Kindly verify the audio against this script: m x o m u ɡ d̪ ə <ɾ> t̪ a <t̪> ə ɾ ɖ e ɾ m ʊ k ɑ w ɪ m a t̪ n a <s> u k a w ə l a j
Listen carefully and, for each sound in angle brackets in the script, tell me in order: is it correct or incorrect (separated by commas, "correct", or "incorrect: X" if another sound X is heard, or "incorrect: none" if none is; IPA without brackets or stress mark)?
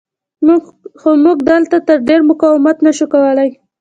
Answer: incorrect: l, correct, incorrect: ʃ